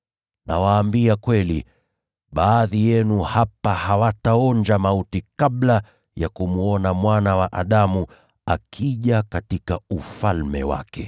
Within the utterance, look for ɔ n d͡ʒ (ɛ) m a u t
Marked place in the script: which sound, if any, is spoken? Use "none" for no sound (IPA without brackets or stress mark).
a